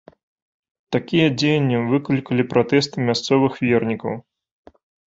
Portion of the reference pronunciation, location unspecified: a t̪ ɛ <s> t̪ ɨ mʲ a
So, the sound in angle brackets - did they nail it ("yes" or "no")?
yes